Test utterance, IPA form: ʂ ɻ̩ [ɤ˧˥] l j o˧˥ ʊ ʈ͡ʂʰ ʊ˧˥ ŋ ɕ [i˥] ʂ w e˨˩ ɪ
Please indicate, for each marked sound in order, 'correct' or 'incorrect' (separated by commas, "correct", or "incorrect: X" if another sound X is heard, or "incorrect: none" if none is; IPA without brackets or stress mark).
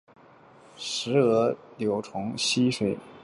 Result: correct, correct